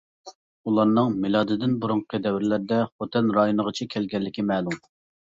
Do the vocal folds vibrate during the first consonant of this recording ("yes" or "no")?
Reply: yes